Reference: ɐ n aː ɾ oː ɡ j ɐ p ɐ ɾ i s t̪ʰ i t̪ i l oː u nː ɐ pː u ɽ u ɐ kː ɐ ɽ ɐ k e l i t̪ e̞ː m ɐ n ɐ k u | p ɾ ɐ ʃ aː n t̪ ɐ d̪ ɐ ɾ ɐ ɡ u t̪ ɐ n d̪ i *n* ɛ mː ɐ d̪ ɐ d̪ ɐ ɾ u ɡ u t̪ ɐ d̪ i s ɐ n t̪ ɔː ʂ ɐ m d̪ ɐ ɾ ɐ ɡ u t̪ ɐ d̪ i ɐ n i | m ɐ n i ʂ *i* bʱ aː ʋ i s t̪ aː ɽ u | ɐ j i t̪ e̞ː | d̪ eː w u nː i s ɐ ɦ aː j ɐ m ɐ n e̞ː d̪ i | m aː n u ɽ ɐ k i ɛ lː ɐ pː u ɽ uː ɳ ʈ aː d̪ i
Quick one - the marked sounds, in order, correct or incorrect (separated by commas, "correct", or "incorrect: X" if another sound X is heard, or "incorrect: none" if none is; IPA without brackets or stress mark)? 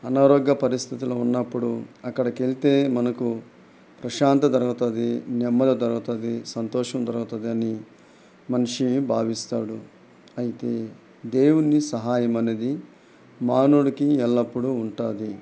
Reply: correct, correct